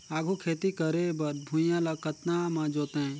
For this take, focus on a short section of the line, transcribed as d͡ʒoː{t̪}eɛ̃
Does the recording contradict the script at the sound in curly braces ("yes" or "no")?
no